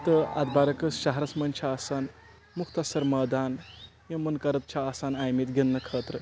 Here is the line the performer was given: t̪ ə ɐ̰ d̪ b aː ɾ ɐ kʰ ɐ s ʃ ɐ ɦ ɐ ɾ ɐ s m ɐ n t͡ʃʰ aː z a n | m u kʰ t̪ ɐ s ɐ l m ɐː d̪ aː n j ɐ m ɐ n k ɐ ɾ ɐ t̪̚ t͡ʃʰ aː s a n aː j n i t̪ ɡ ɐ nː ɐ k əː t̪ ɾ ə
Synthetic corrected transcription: t̪ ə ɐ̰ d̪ b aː ɾ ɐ k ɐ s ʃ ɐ ɦ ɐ ɾ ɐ s m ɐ n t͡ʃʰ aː s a n | m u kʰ t̪ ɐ s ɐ ɾ m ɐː d̪ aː n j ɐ m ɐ n k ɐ ɾ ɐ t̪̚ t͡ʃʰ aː s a n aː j m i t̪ ɡ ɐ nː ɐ kʰ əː t̪ ɾ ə